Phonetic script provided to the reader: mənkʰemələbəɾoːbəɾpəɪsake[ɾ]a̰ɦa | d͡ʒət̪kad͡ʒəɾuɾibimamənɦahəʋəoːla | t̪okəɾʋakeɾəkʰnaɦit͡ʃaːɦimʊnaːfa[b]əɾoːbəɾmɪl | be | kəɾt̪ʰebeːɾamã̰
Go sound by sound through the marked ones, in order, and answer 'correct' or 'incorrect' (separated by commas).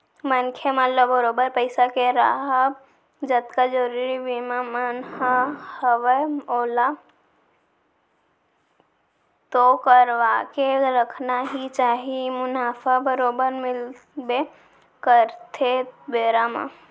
correct, correct